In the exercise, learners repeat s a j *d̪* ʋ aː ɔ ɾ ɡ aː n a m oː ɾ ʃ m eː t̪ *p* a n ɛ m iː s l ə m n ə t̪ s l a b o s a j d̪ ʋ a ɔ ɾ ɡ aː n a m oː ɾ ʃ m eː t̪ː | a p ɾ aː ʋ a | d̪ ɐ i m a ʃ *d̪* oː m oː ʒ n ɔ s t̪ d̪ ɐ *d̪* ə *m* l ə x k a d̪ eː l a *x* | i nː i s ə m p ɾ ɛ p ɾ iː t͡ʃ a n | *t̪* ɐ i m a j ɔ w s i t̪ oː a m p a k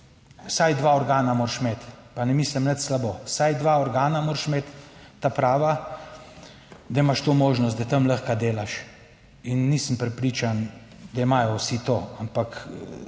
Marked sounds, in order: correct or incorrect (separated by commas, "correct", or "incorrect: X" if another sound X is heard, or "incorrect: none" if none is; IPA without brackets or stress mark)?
correct, correct, incorrect: t̪, incorrect: t̪, correct, incorrect: ʃ, incorrect: d̪